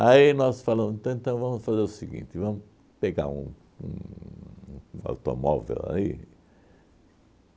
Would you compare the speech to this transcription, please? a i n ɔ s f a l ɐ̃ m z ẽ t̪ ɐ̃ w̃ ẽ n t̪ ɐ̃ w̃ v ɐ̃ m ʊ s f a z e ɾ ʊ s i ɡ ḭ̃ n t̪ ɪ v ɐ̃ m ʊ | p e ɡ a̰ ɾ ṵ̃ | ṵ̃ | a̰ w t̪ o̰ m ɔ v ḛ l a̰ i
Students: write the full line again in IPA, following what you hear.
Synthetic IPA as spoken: a i n ɔ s f a l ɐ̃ m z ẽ t̪ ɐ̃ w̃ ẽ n t̪ ɐ̃ w̃ v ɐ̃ m ʊ s f a z e ɾ ʊ s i ɡ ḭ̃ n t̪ ɪ v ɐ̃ m ʊ | p e ɡ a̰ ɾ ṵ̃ | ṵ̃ | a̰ w t̪ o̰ m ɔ v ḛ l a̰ i